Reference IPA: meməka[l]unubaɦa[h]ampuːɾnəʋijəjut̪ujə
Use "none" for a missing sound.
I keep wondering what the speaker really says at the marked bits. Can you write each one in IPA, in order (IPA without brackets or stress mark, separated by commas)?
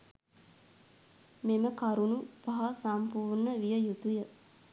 ɾ, s